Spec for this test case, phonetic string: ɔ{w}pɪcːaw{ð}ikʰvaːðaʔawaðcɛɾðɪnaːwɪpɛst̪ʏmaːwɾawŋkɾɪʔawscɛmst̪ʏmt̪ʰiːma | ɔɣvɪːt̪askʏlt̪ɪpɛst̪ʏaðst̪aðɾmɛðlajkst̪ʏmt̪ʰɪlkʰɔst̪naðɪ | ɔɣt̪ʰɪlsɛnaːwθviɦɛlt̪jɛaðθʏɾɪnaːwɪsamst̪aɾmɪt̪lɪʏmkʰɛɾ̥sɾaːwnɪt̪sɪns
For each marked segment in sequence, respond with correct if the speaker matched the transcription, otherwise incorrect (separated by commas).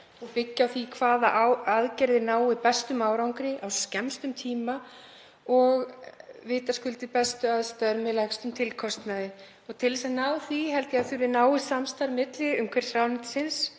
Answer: incorrect, incorrect